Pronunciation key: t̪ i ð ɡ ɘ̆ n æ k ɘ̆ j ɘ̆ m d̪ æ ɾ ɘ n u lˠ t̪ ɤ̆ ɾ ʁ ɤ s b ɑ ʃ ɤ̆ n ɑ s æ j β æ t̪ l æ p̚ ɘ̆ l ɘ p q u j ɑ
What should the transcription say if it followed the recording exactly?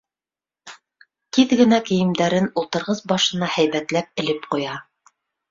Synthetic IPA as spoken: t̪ i ð ɡ ɘ̆ n æ k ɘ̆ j ɘ̆ m d̪ æ ɾ ɘ n u lˠ t̪ ɤ̆ ɾ ʁ ɤ s b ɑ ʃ ɤ̆ n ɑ h æ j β æ t̪ l æ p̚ ɘ̆ l ɘ p q u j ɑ